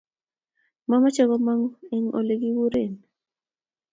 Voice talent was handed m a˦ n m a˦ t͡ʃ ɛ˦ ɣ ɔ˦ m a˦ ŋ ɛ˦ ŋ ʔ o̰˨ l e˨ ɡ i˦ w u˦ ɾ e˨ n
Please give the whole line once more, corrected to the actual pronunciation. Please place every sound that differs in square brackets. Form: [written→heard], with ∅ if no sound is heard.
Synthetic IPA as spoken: m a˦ [n→∅] m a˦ t͡ʃ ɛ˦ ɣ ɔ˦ m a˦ ŋ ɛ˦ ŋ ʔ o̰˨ l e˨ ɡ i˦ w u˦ ɾ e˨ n